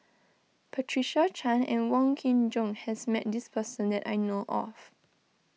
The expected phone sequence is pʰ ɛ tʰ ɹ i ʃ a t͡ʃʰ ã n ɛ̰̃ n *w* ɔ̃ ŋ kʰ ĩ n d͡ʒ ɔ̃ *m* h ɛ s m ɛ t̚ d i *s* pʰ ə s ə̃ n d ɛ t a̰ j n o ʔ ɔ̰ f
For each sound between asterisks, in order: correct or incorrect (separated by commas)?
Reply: correct, incorrect, correct